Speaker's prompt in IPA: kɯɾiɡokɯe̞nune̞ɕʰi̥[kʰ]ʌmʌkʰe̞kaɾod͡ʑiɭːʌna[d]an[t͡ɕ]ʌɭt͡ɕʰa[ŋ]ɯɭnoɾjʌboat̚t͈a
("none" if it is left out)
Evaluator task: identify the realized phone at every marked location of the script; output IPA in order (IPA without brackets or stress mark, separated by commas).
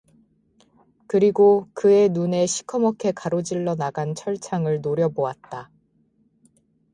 kʰ, ɡ, t͡ɕʰ, ŋ